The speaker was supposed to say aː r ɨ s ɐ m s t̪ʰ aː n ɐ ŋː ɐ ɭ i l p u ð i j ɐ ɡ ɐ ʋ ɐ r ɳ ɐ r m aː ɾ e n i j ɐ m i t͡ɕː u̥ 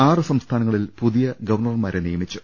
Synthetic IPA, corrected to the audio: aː r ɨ s ɐ m s t̪ʰ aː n ɐ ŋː ɐ ɭ i l p u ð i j ɐ ɡ ɐ ʋ ɐ r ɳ ɐ r m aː ɾ e n i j ɐ m i t͡ɕː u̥